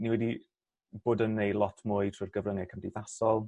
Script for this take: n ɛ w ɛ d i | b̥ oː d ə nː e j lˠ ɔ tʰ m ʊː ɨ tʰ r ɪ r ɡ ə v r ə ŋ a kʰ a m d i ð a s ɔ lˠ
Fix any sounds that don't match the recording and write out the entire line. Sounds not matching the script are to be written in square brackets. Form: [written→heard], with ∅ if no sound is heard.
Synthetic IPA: n [ɛ→i] w ɛ d i | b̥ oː d ə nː e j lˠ ɔ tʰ m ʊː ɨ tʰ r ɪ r ɡ ə v r ə ŋ [a→ɛ] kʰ [a→ə] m d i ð a s ɔ lˠ